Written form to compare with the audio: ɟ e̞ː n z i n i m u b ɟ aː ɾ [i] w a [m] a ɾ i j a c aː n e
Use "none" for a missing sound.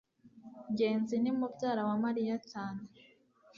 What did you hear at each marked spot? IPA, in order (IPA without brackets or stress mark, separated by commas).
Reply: a, m